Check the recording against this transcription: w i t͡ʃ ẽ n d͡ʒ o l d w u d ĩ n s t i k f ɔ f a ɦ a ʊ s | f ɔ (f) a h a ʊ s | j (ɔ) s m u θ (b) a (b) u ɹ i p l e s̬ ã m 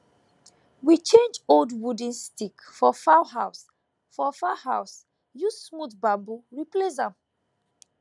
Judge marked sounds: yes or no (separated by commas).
yes, no, yes, yes